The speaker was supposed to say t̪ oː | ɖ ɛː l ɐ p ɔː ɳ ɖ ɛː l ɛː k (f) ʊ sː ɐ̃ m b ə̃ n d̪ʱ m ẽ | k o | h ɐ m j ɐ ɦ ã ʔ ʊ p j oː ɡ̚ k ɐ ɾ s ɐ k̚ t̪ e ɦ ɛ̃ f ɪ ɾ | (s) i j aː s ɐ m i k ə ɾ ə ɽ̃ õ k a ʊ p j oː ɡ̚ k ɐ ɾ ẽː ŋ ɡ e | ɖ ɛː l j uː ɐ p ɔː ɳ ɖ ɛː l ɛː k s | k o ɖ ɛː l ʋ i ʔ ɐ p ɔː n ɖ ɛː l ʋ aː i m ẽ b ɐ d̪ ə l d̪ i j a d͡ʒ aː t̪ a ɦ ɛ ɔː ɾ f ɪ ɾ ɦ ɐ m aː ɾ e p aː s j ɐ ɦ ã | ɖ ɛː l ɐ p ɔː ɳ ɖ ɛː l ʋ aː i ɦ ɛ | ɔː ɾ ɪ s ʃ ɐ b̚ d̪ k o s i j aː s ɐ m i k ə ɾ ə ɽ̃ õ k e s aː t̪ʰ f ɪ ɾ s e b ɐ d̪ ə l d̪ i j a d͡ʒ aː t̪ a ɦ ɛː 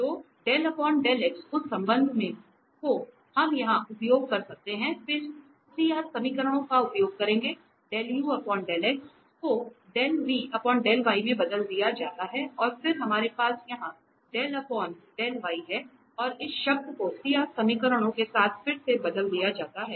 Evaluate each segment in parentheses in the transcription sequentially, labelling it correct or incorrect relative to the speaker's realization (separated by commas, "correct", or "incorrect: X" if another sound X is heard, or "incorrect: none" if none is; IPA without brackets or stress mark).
incorrect: s, correct